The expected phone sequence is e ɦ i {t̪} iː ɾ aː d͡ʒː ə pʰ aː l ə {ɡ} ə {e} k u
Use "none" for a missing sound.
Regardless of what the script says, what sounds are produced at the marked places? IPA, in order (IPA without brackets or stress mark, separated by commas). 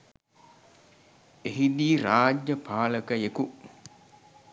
d̪, k, e